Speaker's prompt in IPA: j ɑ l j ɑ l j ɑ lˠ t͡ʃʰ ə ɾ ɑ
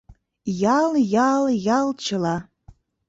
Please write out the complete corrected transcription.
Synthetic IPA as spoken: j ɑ l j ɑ l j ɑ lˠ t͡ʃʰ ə l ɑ